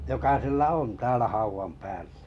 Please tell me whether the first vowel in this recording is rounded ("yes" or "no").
yes